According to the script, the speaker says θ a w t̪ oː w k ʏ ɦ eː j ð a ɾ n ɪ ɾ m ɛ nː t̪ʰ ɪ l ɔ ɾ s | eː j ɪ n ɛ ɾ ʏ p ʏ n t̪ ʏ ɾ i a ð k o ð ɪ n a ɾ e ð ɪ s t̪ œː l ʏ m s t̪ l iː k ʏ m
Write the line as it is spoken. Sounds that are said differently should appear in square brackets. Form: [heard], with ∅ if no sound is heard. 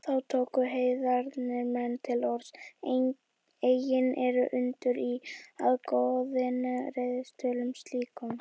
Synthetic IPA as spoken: θ a w [t̪ʰ] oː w k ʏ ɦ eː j ð a ɾ n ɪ ɾ m ɛ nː t̪ʰ ɪ l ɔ ɾ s | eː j ɪ n ɛ ɾ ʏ [ʔ] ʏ n t̪ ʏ ɾ i a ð k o ð ɪ n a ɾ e ð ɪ s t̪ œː l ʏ m s t̪ l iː k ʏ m